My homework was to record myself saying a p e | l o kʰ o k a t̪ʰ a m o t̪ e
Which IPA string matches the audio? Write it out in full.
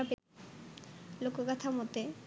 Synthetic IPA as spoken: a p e | l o k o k a t̪ʰ a m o t̪ e